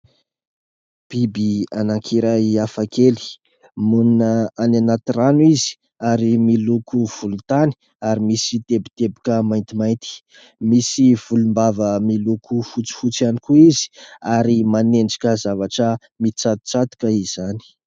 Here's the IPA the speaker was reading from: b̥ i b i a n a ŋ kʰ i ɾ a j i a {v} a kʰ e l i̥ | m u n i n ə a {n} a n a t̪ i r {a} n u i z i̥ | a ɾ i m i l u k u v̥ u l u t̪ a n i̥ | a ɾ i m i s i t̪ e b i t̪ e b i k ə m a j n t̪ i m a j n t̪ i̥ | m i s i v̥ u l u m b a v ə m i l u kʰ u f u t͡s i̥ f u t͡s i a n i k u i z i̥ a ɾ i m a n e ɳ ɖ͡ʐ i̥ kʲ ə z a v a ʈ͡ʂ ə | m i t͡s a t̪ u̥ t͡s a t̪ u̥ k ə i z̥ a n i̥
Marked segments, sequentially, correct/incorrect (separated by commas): incorrect, correct, correct